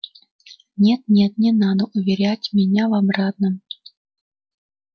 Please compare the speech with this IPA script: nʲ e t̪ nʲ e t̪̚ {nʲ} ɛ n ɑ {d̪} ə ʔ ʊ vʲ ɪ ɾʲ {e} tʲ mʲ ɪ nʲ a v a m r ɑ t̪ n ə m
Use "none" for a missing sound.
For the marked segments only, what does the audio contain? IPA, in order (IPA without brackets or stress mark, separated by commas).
nʲ, d̪, æ